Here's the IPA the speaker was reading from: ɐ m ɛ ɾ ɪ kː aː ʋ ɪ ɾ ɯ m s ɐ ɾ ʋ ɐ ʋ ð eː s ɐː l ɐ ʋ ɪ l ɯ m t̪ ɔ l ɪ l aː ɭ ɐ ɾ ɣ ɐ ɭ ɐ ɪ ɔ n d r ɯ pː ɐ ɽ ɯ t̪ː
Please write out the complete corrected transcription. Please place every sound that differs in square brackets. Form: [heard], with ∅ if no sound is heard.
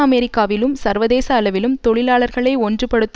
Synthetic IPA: ɐ m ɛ ɾ ɪ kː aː ʋ ɪ [l] ɯ m s ɐ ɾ ʋ ɐ [∅] ð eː s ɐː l ɐ ʋ ɪ l ɯ m t̪ ɔ [ɭ] ɪ l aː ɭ ɐ ɾ ɣ ɐ ɭ ɐ ɪ ɔ n d r ɯ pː ɐ ɽ ɯ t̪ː